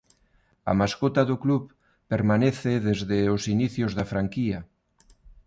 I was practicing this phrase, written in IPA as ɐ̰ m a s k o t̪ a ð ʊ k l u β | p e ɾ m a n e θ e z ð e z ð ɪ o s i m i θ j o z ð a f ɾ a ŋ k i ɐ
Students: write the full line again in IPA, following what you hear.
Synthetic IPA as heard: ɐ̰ m a s k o t̪ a ð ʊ k l u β | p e ɾ m a n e θ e ð e z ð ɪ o s i n i θ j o z ð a f ɾ a ŋ k i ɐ